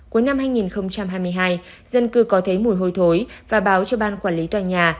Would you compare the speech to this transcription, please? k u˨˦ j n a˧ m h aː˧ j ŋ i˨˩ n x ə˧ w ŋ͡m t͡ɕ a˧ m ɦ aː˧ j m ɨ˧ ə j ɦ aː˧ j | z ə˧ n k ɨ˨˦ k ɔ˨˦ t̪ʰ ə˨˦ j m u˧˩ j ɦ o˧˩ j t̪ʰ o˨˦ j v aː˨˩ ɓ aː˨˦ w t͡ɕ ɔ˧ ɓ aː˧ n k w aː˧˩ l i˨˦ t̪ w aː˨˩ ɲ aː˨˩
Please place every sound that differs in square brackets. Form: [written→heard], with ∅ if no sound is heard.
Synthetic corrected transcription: k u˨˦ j n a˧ m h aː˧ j ŋ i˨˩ n x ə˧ w ŋ͡m t͡ɕ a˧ m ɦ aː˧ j m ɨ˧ ə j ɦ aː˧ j | z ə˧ n k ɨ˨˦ k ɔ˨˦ t̪ʰ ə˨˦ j m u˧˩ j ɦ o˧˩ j t̪ʰ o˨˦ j v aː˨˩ ɓ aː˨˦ w t͡ɕ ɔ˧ ɓ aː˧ n k w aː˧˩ l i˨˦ t̪ w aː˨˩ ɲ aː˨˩